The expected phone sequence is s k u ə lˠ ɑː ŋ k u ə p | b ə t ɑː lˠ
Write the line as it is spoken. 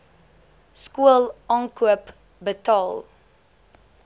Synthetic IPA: s k u ə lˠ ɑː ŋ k u ə p | b ə t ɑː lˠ